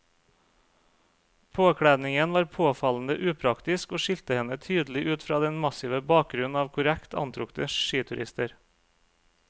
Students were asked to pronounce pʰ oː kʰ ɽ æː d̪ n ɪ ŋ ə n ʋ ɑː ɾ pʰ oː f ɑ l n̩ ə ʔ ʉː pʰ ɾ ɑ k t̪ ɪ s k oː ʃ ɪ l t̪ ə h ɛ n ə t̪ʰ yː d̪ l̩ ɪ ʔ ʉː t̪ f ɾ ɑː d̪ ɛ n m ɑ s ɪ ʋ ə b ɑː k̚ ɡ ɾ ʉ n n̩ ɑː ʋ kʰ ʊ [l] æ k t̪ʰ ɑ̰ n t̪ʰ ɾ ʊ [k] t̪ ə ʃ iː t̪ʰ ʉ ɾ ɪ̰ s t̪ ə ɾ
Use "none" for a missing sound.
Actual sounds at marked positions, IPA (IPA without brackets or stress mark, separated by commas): ɾ, k